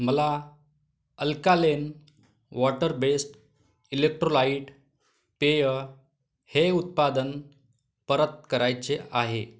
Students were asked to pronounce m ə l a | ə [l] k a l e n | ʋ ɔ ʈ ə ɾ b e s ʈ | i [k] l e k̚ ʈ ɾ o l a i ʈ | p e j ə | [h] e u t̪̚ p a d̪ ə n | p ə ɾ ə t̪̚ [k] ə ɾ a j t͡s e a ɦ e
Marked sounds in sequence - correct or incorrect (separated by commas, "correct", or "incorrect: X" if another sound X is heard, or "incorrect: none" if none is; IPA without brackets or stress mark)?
correct, incorrect: none, correct, correct